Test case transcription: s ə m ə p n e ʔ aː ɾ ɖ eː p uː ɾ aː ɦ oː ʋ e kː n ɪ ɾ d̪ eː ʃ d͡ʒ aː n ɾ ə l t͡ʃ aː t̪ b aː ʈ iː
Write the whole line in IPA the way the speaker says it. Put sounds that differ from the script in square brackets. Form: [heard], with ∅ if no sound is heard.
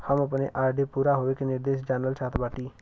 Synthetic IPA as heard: [h] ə m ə p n e ʔ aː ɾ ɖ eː p uː ɾ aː ɦ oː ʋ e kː n ɪ ɾ d̪ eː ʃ d͡ʒ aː n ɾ ə l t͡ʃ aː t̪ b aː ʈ iː